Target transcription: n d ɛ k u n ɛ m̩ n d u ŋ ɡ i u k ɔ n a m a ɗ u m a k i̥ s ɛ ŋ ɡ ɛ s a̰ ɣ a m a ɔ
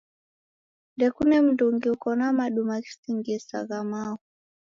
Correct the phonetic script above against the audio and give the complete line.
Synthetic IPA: n d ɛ k u n ɛ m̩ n d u ŋ ɡ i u k ɔ n a m a ɗ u m a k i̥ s i ŋ ɡ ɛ s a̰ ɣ a m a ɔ